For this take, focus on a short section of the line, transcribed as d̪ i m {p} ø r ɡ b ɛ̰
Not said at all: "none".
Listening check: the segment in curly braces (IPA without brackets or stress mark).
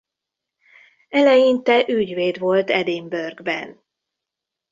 b